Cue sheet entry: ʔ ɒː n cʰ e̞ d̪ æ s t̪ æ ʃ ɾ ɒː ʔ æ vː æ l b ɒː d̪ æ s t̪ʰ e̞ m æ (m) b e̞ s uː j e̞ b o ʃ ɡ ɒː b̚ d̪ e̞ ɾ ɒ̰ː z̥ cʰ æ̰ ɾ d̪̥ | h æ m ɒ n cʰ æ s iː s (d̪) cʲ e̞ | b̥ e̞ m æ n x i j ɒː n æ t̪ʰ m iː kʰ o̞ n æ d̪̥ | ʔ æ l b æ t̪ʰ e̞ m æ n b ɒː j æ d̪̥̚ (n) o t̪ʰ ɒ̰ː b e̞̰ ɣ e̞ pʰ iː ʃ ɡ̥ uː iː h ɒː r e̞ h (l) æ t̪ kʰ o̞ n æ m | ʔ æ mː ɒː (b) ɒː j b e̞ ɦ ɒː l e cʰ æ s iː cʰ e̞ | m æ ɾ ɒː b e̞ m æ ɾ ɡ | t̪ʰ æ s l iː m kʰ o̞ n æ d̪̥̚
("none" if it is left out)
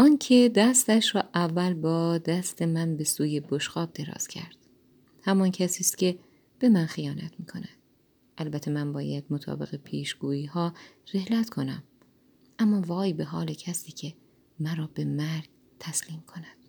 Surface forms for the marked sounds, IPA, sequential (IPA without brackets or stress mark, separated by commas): n, t̪, m, l, v